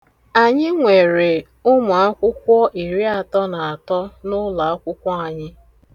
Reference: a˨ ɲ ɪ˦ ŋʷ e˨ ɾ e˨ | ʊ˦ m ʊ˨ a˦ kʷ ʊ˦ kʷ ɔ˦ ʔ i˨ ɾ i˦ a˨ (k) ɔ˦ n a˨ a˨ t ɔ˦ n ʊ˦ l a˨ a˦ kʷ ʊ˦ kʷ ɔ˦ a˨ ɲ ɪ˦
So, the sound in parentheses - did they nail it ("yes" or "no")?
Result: no